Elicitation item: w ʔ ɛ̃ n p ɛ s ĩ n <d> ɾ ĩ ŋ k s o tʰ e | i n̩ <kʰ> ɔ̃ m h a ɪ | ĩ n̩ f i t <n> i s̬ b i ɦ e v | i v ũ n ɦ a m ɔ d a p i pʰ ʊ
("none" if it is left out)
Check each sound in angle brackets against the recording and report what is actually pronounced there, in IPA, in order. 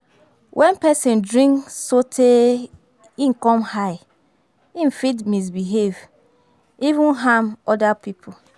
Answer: d, k, m

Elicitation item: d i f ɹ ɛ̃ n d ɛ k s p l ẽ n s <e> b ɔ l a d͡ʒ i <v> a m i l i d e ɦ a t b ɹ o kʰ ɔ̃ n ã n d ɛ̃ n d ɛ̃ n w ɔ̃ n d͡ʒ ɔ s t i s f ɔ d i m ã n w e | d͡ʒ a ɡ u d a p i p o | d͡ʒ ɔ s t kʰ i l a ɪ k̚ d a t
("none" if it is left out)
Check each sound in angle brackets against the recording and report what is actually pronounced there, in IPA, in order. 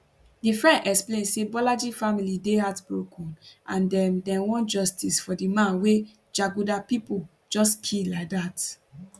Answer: e, f

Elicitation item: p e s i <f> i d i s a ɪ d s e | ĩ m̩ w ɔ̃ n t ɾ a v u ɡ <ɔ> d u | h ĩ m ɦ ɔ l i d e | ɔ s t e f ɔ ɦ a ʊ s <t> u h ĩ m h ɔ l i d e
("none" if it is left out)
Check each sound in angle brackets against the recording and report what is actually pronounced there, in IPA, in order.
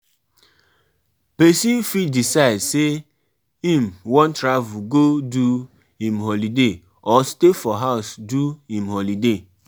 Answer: f, o, d

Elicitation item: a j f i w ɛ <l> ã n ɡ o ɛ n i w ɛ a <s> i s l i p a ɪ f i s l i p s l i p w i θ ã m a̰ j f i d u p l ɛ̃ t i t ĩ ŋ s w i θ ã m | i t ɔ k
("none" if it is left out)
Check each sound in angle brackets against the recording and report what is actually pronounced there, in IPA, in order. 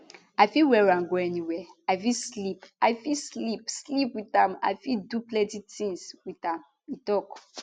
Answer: ɹ, f

